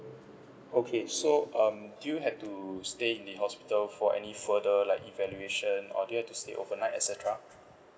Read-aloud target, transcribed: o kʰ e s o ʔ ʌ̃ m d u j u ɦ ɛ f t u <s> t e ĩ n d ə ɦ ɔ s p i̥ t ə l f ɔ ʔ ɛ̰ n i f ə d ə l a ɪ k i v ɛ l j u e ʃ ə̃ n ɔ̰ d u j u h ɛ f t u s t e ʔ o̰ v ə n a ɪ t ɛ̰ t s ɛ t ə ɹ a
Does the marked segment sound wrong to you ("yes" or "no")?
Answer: no